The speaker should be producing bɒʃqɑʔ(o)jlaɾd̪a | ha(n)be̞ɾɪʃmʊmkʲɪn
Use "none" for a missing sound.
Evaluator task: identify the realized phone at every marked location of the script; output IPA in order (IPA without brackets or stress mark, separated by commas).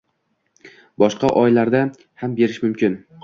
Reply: ɒ, m